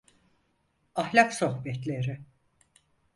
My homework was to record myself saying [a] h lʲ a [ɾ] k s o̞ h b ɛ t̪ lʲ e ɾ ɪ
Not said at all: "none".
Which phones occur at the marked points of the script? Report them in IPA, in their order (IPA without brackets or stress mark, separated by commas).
a, none